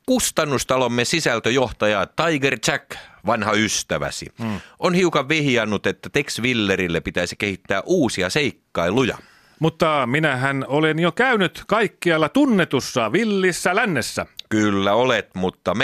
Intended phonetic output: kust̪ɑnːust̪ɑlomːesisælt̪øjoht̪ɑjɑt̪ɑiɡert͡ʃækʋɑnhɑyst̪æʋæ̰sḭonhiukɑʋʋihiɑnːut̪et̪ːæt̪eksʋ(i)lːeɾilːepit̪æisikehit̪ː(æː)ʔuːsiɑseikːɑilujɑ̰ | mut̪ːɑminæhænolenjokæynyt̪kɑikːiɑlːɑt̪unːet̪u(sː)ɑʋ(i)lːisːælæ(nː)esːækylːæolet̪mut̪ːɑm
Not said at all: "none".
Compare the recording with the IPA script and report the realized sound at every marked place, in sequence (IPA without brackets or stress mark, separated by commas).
i, æː, sː, i, nː